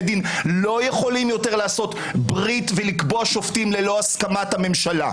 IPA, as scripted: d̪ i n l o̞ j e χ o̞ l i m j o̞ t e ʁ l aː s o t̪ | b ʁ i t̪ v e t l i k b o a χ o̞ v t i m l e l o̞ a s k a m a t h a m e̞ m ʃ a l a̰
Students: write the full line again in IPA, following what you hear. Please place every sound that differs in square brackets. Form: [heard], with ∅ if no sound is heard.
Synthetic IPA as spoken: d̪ i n l o̞ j e χ o̞ l i m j o̞ t e ʁ l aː s o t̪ | b ʁ i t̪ v e [∅] l i k b o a [ʃ] o̞ [f] t i m l e l o̞ a s k a m a t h a m e̞ m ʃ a l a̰